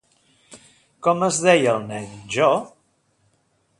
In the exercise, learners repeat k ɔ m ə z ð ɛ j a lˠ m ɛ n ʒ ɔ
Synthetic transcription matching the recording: k ɔ m ə z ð ɛ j ə lˠ n ɛ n ʒ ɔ

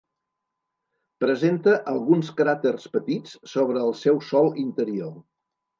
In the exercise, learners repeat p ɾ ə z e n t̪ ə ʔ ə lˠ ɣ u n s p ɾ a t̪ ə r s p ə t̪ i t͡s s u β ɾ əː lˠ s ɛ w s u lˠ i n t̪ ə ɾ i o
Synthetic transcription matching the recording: p ɾ ə z e n t̪ ə ʔ ə lˠ ɣ u n s k ɾ a t̪ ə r s p ə t̪ i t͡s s o β ɾ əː lˠ s ɛ w s ɔ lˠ i n t̪ ə ɾ i o

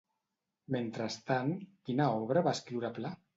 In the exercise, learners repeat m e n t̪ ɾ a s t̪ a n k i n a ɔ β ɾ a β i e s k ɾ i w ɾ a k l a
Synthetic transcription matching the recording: m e n t̪ ɾ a s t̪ a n k i n a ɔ β ɾ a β a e s k ɾ i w ɾ a p l a

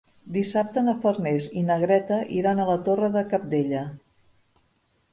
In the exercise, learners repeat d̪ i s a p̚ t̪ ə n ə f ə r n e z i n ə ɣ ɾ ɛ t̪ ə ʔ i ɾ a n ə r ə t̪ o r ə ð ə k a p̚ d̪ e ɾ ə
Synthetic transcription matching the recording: d̪ i s a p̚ t̪ ə n ə f ə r n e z i n ə ɣ ɾ ɛ t̪ ə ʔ i ɾ a n ə l ə t̪ o r ə ð ə k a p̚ d̪ e ʎ ə

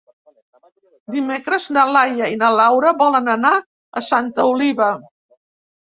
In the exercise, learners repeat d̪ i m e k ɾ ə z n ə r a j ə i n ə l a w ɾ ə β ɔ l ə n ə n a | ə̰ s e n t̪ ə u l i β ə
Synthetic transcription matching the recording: d̪ i m e k ɾ ə z n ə l a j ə i n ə l a w ɾ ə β ɔ l ə n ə n a | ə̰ s a n t̪ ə u l i β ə

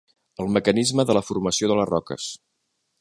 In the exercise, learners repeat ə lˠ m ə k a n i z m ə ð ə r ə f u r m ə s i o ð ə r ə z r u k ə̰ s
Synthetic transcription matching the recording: ə lˠ m ə k ə n i z m ə ð ə l ə f u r m ə s i o ð ə l ə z r ɔ k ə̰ s

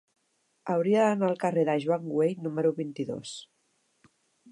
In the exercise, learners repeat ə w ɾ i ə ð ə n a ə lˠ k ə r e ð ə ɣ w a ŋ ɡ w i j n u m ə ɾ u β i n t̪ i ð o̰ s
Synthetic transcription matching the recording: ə w ɾ i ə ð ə n a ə lˠ k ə r e ð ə ʒ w a ŋ ɡ w e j n u m ə ɾ u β i n t̪ i ð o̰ s

